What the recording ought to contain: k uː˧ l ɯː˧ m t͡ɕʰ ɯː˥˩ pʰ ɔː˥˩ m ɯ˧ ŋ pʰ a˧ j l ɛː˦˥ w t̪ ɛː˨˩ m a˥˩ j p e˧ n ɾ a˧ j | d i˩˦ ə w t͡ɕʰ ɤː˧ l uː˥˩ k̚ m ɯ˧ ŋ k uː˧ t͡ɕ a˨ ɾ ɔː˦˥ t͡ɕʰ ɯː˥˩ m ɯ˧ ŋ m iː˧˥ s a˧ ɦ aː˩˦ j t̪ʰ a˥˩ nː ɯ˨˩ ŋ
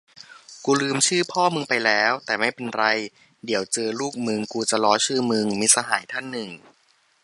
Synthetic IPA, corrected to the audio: k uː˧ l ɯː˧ m t͡ɕʰ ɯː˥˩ pʰ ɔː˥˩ m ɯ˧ ŋ p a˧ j l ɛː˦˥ w t̪ ɛː˨˩ m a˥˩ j p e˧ n ɾ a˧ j | d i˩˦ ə w t͡ɕ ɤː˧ l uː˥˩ k̚ m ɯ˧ ŋ k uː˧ t͡ɕ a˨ l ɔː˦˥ t͡ɕʰ ɯː˥˩ m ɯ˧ ŋ m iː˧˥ s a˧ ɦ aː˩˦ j t̪ʰ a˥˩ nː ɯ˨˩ ŋ